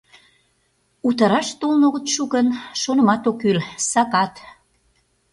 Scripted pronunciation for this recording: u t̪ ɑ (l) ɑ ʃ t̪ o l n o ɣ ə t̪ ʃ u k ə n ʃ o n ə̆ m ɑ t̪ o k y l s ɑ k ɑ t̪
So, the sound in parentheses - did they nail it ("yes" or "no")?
no